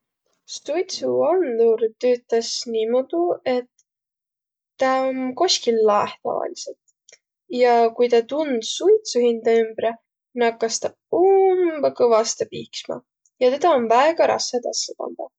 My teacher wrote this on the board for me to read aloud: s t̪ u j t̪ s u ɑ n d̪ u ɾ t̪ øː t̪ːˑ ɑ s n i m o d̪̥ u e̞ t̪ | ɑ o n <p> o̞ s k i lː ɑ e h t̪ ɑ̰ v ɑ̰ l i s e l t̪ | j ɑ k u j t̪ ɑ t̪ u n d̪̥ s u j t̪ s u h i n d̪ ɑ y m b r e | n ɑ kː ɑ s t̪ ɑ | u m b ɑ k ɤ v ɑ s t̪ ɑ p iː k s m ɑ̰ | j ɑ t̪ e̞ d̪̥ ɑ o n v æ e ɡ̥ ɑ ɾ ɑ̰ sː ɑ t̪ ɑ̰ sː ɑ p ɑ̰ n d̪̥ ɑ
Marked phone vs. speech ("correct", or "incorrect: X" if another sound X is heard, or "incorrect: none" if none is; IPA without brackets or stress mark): incorrect: k